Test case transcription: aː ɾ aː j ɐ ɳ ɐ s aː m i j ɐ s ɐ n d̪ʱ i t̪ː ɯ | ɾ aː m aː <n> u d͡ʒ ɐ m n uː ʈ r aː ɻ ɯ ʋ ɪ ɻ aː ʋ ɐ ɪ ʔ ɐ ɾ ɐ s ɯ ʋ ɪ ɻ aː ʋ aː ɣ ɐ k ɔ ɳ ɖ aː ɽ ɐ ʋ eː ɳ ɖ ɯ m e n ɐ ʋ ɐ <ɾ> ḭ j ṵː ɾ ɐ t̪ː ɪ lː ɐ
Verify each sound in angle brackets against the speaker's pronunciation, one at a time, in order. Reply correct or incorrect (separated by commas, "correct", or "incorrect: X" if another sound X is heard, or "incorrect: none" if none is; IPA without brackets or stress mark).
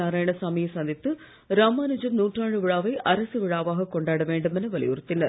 correct, incorrect: l